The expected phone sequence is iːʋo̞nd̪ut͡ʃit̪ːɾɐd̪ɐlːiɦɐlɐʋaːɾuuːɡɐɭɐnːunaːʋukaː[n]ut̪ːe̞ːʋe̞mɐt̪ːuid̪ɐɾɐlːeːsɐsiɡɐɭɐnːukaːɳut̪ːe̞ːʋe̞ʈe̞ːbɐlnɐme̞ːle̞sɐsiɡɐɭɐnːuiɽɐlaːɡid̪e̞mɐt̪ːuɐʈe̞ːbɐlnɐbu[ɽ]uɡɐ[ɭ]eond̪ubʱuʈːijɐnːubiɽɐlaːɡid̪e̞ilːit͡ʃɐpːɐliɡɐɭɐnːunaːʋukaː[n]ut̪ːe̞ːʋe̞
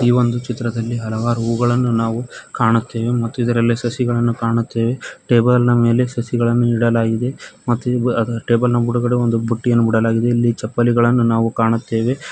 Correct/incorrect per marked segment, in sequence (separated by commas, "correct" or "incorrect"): incorrect, correct, incorrect, incorrect